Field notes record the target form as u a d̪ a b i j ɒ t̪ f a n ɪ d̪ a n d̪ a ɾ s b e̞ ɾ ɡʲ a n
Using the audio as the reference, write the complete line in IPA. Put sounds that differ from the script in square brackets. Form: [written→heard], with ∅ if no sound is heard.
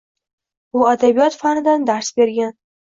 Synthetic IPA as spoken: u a d̪ a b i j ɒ t̪ f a n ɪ d̪ a n d̪ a ɾ s b e̞ ɾ ɡʲ a n